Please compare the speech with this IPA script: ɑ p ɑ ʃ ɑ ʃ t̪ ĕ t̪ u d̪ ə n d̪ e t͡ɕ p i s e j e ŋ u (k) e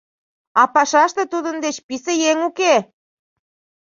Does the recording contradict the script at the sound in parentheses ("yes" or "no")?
no